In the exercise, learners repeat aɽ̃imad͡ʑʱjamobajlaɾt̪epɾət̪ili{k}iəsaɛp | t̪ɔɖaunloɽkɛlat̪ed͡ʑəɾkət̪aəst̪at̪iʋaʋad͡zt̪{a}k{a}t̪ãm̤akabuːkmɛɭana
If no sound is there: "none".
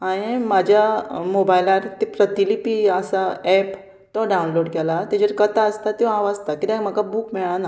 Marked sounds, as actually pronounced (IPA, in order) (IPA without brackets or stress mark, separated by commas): p, a, i